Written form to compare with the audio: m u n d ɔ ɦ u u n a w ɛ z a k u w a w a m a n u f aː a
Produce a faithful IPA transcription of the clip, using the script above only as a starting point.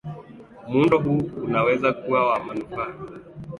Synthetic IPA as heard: m u n d ɔ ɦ u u n a w ɛ z a k u w a w a m a n u f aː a